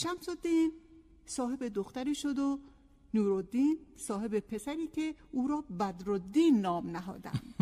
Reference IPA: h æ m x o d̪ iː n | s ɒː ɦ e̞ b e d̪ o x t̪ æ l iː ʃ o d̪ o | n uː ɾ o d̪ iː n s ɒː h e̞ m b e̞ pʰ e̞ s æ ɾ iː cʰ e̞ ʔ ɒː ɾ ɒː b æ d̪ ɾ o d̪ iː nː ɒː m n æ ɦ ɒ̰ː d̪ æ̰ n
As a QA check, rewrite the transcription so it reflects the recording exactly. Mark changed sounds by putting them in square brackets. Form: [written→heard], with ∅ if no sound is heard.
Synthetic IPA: [h→ʃ] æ m [x→s] o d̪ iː n | s ɒː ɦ e̞ b e d̪ o x t̪ æ [l→ɾ] iː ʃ o d̪ o | n uː ɾ o d̪ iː n s ɒː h e̞ [m→∅] b e̞ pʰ e̞ s æ ɾ iː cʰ e̞ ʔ [ɒː→uː] ɾ ɒː b æ d̪ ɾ o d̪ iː nː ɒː m n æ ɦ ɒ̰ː d̪ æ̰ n